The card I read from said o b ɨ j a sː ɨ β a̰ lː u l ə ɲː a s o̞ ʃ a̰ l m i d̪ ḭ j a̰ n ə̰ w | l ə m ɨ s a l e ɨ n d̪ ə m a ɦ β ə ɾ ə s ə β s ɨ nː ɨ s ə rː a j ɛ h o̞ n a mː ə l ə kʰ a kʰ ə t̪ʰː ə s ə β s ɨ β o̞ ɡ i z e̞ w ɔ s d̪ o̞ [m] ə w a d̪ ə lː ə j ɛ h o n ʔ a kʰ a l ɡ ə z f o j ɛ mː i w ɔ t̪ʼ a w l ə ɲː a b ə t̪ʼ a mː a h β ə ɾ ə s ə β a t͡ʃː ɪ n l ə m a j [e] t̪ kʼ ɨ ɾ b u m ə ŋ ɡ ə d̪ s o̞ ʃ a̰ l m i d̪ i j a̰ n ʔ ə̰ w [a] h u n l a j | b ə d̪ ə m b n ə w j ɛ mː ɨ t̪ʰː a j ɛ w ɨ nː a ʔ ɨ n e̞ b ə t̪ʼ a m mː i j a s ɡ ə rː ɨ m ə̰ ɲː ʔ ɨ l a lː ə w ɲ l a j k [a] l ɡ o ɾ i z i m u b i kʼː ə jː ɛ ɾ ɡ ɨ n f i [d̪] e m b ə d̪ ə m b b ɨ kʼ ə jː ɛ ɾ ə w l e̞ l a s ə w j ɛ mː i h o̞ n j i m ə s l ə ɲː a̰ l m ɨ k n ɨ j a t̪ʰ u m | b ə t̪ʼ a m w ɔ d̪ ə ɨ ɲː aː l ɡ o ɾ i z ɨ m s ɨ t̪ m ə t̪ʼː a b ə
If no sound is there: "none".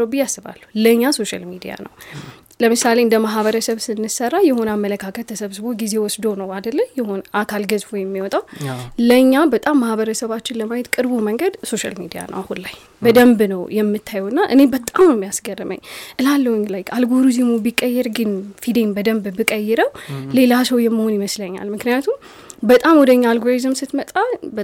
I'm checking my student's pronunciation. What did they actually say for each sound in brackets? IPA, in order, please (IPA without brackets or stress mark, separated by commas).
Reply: n, ɛ, a, a, d̪